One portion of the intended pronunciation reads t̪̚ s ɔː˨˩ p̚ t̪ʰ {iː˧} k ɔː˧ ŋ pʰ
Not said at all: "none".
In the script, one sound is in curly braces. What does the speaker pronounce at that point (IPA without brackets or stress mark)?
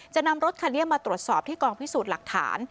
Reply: iː˥˩